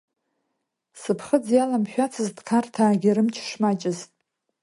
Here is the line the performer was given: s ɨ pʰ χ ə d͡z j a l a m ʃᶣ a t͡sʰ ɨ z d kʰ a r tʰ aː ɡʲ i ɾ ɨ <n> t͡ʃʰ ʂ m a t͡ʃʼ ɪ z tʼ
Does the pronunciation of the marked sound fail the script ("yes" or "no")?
yes